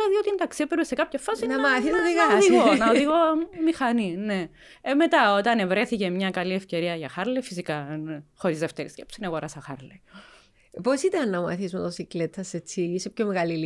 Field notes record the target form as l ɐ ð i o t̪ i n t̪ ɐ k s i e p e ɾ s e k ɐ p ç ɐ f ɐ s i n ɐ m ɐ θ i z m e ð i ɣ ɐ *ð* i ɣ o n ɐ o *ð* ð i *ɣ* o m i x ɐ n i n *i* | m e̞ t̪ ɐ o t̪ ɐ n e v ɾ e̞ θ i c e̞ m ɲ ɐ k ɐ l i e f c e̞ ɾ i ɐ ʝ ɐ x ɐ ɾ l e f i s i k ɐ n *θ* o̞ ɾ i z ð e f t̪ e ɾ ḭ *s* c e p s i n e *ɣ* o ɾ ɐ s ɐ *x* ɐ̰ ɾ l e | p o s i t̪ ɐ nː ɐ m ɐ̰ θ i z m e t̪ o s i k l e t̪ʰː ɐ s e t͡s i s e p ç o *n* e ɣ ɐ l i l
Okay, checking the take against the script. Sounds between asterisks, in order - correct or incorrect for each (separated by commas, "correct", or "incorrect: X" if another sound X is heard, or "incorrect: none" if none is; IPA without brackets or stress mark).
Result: correct, correct, correct, incorrect: e, incorrect: x, correct, correct, correct, incorrect: m